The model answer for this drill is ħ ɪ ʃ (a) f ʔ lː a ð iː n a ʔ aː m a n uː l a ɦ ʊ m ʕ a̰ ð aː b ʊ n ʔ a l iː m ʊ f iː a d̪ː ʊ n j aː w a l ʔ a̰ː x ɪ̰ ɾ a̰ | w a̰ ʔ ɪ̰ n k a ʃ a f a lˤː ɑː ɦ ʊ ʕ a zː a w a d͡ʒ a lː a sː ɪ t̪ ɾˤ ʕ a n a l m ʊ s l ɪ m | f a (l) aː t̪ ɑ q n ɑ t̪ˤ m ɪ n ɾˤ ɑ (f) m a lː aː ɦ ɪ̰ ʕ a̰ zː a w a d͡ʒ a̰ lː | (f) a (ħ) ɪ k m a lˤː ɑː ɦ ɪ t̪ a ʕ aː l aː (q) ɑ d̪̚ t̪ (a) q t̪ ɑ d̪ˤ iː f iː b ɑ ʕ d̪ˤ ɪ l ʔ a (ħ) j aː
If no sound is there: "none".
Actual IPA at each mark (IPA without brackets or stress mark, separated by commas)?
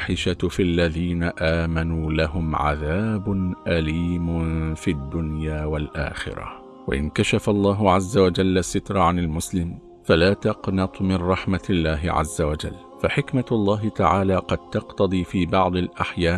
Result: a, l, ħ, f, ħ, q, ɑ, ħ